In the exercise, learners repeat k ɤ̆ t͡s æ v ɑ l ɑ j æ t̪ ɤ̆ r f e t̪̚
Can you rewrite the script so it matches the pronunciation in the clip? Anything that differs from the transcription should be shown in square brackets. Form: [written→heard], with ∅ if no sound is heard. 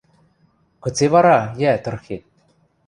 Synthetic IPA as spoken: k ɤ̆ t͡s [æ→e] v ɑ [l→ɾ] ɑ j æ t̪ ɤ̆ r [f→x] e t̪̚